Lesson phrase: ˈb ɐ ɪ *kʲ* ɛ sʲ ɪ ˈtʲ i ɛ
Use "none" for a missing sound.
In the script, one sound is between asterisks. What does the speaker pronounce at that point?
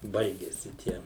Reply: ɡʲ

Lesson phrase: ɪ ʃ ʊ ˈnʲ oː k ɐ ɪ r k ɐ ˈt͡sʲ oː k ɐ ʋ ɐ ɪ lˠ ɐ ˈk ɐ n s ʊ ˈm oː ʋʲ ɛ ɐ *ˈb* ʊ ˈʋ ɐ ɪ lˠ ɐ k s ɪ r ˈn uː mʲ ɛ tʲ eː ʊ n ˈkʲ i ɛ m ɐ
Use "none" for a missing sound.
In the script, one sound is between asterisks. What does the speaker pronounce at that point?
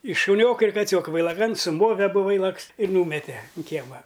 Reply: b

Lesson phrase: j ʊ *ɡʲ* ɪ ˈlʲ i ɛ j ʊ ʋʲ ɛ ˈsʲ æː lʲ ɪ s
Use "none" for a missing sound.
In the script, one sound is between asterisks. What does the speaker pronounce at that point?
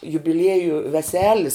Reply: bʲ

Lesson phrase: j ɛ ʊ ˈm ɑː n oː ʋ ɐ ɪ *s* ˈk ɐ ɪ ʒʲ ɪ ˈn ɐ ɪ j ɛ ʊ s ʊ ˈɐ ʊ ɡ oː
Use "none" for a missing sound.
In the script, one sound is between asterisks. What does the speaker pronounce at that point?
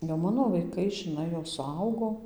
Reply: none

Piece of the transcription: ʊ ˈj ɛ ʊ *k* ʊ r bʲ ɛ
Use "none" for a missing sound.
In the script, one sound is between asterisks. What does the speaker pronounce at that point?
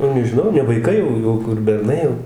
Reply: k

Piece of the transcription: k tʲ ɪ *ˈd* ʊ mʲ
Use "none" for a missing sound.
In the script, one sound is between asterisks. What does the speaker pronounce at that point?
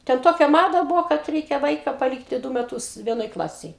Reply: d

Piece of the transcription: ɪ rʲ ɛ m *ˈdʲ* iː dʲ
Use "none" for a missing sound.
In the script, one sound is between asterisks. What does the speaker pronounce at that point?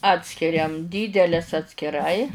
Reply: dʲ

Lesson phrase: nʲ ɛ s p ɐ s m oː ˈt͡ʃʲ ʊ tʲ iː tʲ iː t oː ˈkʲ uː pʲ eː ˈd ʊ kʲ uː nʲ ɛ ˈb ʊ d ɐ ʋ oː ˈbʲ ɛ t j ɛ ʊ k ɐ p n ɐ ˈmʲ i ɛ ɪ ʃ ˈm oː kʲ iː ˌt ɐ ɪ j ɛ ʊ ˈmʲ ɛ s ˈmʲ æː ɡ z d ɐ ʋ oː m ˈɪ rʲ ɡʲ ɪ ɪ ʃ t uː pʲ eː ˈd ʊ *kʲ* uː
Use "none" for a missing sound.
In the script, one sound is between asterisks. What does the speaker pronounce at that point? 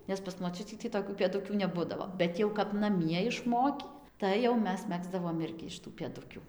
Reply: kʲ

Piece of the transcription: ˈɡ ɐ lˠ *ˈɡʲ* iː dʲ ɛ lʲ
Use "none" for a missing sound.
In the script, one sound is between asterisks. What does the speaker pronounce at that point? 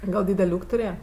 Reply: dʲ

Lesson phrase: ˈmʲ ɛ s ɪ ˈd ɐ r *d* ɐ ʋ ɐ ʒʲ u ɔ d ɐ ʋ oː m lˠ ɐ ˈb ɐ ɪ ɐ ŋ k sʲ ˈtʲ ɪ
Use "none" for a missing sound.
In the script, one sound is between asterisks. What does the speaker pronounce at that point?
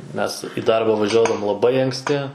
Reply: b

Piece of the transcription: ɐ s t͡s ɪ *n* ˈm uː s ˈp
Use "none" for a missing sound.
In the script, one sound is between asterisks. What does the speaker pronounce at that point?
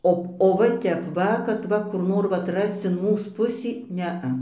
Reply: n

